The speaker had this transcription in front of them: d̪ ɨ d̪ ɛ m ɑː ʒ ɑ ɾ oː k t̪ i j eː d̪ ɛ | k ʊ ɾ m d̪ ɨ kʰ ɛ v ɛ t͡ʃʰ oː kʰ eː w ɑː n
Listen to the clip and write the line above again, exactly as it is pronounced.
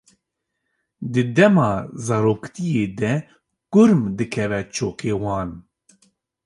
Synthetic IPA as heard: d̪ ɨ d̪ ɛ m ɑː z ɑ ɾ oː k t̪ i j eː d̪ ɛ | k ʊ ɾ m d̪ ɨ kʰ ɛ v ɛ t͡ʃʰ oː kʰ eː w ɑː n